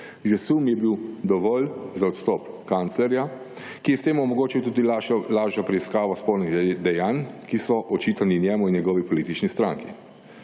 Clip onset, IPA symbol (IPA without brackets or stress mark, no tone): ʒ